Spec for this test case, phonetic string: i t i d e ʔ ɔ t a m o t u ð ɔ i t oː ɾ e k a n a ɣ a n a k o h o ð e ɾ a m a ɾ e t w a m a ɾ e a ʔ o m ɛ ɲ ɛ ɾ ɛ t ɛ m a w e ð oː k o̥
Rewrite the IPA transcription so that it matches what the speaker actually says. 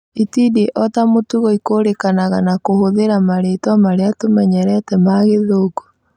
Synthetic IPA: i t i d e ʔ ɔ t a m o t u ɣ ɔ i k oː ɾ e k a n a ɣ a n a k o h o ð e ɾ a m a ɾ e t w a m a ɾ e a t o m ɛ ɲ ɛ ɾ ɛ t ɛ m a ɣ e ð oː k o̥